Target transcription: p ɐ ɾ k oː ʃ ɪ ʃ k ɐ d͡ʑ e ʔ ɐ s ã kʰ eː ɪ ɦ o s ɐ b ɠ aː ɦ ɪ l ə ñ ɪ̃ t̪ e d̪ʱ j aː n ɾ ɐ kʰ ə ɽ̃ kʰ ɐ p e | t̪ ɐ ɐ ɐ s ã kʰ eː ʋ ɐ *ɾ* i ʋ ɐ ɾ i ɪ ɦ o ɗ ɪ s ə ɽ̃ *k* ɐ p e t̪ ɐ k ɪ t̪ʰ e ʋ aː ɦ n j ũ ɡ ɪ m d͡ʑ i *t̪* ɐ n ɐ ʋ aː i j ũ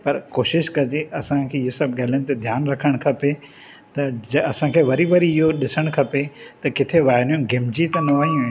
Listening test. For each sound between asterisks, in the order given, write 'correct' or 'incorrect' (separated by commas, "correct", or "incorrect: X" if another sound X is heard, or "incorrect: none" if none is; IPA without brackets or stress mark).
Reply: correct, incorrect: kʰ, correct